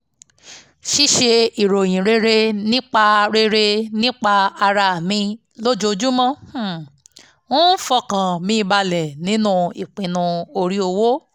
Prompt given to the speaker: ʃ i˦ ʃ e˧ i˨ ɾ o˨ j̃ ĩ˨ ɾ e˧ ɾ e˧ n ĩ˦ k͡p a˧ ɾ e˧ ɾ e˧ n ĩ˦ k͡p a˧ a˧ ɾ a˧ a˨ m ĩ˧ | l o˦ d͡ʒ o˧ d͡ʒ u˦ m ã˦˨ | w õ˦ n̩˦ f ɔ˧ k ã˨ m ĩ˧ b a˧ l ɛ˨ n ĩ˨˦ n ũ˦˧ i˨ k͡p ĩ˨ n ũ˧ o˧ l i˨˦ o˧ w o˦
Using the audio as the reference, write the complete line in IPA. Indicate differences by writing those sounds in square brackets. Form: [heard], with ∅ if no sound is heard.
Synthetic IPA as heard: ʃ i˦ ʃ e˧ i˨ ɾ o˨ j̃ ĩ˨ ɾ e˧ ɾ e˧ n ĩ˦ k͡p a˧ ɾ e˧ ɾ e˧ n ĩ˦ k͡p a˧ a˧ ɾ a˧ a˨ m ĩ˧ | l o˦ d͡ʒ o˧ d͡ʒ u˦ m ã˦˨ | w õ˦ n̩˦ f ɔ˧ k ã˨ m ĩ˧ b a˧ l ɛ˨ n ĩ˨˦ n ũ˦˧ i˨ k͡p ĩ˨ n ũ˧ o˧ [ɾ] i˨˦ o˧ w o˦